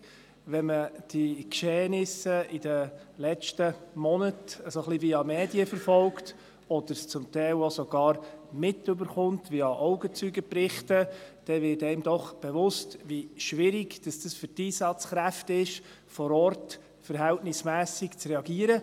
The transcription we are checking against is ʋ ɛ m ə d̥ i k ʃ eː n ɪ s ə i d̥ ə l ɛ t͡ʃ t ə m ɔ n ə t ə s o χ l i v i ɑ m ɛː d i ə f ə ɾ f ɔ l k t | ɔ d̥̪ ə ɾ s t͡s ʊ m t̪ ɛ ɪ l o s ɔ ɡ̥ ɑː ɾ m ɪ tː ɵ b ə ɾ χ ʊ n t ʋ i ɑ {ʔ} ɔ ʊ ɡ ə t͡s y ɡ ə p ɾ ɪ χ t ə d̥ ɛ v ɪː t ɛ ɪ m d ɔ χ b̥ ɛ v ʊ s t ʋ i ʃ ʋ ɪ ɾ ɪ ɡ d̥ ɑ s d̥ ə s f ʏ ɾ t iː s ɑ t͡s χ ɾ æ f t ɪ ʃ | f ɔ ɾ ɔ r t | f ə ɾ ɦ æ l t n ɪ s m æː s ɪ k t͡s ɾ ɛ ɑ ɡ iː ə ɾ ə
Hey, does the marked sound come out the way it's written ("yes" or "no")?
yes